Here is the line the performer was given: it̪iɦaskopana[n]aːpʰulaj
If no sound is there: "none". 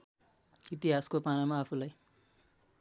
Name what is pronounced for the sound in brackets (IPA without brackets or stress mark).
m